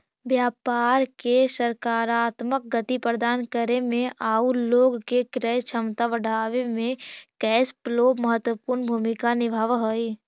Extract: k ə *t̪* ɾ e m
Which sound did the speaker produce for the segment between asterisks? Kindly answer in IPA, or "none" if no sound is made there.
none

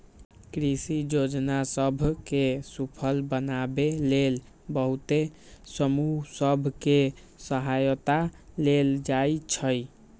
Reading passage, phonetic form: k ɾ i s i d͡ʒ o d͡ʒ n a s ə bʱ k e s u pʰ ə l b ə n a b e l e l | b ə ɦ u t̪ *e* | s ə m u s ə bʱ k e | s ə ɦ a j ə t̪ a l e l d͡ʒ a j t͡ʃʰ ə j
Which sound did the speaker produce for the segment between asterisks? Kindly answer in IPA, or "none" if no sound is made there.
e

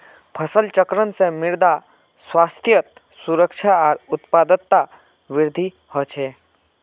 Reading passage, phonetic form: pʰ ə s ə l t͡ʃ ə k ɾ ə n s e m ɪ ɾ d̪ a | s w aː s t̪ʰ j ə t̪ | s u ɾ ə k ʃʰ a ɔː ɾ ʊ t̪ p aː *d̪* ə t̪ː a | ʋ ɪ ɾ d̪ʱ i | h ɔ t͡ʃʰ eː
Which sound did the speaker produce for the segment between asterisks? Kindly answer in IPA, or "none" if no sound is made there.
d̪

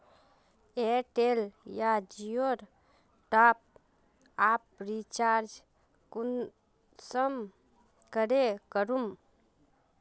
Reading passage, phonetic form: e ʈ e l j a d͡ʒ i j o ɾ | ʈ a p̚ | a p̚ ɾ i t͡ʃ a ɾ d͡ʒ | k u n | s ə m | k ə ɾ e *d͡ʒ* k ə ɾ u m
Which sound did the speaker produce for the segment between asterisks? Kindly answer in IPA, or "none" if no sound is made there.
none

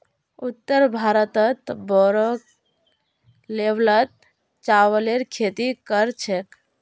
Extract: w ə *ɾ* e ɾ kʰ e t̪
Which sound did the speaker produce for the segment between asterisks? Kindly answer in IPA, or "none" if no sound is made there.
l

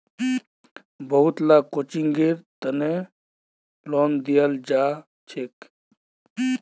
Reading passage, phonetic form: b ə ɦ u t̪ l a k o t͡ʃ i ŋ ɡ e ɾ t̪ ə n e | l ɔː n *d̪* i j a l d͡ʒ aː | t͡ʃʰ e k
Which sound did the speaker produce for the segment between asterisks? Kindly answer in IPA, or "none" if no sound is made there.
d̪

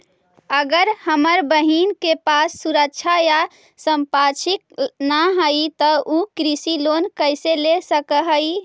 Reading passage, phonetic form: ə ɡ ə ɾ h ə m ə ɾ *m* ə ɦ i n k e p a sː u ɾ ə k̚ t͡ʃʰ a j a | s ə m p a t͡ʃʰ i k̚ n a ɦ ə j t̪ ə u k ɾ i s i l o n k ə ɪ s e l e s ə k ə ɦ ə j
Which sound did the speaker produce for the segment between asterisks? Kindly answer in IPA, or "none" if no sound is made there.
b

